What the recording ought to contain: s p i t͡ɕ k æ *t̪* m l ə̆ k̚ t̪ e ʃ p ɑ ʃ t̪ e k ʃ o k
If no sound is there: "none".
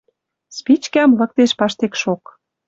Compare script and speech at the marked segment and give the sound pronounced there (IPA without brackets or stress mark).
none